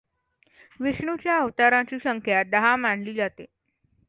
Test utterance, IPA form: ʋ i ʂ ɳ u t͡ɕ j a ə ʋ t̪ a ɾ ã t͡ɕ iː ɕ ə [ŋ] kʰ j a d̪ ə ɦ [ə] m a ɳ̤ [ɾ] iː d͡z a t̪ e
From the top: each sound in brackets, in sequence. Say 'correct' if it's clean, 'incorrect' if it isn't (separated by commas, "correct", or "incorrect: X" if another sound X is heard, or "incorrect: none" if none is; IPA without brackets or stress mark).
correct, incorrect: a, incorrect: l